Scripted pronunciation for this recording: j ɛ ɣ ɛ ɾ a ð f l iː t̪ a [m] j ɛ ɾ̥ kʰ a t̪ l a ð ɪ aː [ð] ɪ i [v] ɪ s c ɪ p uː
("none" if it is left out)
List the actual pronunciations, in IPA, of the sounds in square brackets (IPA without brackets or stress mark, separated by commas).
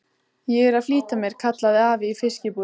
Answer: m, v, f